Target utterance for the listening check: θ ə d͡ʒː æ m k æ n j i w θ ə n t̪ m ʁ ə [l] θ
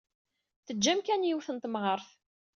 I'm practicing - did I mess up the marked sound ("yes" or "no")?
yes